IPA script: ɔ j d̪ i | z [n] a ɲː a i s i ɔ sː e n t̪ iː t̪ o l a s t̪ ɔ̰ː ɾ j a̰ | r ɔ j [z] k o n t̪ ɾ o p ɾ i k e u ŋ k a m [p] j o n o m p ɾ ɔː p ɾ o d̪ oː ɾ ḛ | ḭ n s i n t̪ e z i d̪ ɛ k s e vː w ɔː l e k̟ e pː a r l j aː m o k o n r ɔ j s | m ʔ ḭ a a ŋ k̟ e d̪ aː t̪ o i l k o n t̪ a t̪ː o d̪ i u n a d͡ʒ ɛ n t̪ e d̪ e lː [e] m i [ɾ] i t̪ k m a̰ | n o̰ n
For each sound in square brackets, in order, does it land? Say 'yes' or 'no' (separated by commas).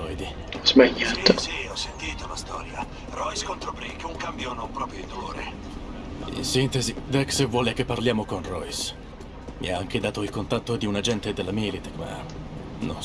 no, no, no, no, no